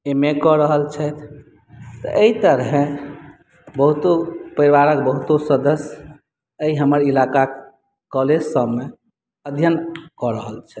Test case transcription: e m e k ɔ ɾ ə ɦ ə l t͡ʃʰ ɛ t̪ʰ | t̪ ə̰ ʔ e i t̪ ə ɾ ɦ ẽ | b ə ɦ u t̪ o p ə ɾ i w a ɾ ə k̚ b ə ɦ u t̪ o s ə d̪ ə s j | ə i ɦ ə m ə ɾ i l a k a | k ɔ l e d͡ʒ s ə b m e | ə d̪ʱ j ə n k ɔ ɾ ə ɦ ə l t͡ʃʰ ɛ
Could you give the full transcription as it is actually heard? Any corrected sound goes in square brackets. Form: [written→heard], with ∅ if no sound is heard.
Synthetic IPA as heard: e m e k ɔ ɾ ə ɦ ə l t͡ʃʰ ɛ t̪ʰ | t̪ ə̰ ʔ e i t̪ ə ɾ ɦ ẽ | b ə ɦ u t̪ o p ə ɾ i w a ɾ ə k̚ b ə ɦ u t̪ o s ə d̪ ə s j | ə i ɦ ə m ə ɾ i l a k a | k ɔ l e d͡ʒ s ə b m e | ə d̪ʱ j ə n k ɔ ɾ ə ɦ ə l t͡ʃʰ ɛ